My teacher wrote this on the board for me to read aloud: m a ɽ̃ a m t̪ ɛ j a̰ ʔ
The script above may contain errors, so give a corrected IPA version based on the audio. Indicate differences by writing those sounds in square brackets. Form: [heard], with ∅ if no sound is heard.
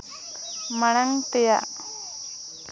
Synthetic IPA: m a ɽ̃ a [ŋ] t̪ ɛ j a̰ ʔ